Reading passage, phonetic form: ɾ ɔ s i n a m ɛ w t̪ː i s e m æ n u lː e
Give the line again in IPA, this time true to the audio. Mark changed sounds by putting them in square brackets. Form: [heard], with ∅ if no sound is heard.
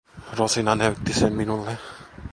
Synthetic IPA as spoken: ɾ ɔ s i n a [n] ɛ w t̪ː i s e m [i] n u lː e

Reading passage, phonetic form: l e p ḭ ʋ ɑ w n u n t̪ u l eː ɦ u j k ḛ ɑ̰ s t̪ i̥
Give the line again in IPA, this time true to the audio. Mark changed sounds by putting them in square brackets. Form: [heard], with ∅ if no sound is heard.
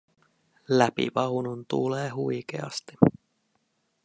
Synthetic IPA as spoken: l [æ] p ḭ ʋ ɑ w n u n t̪ u l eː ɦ u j k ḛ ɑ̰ s t̪ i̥

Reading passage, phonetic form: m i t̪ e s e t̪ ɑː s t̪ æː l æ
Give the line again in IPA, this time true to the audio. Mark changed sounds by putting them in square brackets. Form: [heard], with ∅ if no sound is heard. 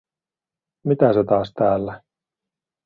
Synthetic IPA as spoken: m i t̪ [æ] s e t̪ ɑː s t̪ æː [lː] æ

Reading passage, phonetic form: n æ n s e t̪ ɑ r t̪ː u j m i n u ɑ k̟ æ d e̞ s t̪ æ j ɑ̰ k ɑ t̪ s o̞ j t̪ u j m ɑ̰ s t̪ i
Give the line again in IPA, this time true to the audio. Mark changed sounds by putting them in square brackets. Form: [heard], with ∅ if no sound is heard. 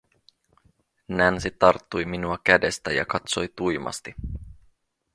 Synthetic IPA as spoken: n æ n s [i] t̪ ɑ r t̪ː u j m i n u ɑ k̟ æ d e̞ s t̪ æ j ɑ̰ k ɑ t̪ s o̞ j t̪ u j m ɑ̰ s t̪ i

